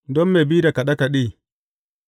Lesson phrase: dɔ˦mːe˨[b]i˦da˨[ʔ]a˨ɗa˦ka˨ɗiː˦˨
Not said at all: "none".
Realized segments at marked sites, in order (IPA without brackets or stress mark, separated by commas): b, k